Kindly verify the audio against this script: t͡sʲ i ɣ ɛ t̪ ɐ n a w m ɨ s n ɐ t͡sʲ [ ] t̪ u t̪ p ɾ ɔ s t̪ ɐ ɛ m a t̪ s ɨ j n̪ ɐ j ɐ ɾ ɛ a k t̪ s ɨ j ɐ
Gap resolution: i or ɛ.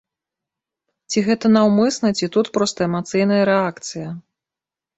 i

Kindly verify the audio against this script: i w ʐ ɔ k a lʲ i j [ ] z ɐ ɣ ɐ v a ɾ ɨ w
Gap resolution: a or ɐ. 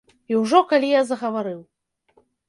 a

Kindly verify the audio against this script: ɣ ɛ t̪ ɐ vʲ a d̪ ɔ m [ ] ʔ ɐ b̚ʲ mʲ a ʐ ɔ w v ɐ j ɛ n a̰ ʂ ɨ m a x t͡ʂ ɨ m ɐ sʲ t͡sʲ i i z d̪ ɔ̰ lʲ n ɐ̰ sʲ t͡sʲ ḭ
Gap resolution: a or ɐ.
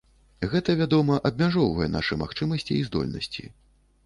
ɐ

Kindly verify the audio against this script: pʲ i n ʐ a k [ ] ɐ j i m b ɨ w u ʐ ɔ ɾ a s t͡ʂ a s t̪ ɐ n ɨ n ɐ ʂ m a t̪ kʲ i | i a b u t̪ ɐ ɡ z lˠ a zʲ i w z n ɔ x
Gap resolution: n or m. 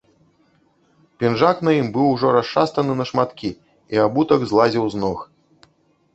n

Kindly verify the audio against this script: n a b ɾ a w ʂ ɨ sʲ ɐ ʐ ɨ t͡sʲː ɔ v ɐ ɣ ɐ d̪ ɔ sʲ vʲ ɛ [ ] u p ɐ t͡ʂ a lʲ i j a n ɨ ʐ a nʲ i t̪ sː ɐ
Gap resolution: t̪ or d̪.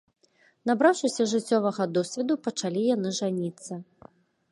d̪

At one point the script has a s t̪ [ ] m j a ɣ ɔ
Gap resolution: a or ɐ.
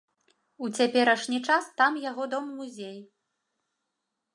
a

